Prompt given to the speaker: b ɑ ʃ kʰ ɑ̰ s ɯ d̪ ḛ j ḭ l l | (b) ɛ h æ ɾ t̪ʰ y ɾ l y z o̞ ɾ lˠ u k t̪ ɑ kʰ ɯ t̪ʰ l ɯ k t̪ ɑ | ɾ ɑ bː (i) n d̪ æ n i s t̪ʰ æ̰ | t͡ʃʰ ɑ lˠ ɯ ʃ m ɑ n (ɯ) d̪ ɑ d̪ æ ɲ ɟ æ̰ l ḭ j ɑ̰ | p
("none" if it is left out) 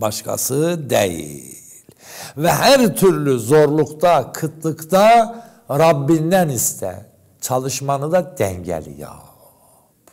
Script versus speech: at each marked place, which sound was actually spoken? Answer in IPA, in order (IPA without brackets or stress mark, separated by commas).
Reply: v, i, ɯ